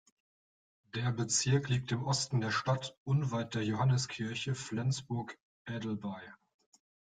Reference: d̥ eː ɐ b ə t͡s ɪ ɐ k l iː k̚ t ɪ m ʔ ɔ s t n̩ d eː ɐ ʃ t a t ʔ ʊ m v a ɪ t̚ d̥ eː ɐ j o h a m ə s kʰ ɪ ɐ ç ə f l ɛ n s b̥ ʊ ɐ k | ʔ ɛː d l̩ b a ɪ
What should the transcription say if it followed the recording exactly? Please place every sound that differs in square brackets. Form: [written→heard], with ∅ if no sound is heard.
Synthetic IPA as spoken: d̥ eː ɐ b ə t͡s ɪ ɐ k l iː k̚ t ɪ m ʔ ɔ s t n̩ d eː ɐ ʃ t a t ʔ ʊ [m→n] v a ɪ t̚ d̥ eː ɐ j o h a [m→n] ə s kʰ ɪ ɐ ç ə f l ɛ n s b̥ ʊ ɐ k | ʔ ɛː d l̩ b a ɪ

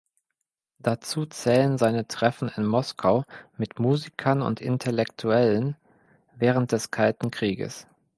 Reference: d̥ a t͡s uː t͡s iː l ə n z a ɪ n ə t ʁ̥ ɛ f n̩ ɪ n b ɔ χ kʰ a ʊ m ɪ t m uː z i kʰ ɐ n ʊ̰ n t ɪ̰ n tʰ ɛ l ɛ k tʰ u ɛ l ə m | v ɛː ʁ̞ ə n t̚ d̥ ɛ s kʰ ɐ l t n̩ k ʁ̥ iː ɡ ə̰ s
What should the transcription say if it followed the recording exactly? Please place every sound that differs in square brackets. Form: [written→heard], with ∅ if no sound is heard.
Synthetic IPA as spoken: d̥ a t͡s uː t͡s [iː→ɛː] l ə n z a ɪ n ə t ʁ̥ ɛ f n̩ ɪ n [b→m] ɔ [χ→s] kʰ a ʊ m ɪ t m uː z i kʰ ɐ n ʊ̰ n t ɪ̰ n tʰ ɛ l ɛ k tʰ u ɛ l ə [m→n] | v ɛː ʁ̞ ə n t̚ d̥ ɛ s kʰ [ɐ→a] l t n̩ k ʁ̥ iː ɡ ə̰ s

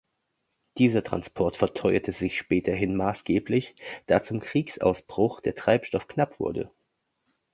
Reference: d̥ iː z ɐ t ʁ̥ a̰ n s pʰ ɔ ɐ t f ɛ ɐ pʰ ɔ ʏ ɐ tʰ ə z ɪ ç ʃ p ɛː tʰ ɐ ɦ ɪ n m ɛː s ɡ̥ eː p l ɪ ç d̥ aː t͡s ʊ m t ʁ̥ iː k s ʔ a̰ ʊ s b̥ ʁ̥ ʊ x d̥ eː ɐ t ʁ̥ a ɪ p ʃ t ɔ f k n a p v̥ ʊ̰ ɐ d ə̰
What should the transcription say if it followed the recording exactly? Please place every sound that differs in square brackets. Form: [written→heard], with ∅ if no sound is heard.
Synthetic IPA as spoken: d̥ iː z ɐ t ʁ̥ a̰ n s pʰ ɔ ɐ t f ɛ ɐ [pʰ→tʰ] ɔ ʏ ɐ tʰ ə z ɪ ç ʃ p ɛː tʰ ɐ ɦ ɪ n m [ɛː→aː] s ɡ̥ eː p l ɪ ç d̥ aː t͡s ʊ m [t→k] ʁ̥ iː k s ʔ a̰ ʊ s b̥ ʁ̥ ʊ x d̥ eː ɐ t ʁ̥ a ɪ p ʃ t ɔ f k n a p v̥ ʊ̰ ɐ d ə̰

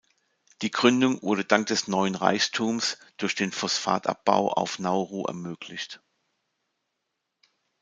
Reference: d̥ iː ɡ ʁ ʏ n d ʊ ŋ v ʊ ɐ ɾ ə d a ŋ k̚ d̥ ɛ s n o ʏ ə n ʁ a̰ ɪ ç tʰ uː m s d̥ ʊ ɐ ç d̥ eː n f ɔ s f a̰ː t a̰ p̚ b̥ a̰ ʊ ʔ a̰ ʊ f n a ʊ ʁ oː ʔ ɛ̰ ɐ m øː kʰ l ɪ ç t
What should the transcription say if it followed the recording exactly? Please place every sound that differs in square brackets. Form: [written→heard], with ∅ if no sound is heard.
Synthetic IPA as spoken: d̥ iː ɡ ʁ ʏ n d ʊ ŋ v ʊ ɐ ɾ ə d a ŋ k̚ d̥ ɛ s n [o→ɔ] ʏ ə n ʁ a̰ ɪ ç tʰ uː m s d̥ ʊ ɐ ç d̥ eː n f ɔ s f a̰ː t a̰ p̚ b̥ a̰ ʊ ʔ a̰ ʊ f n a ʊ ʁ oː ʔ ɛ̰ ɐ m øː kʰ l ɪ ç t

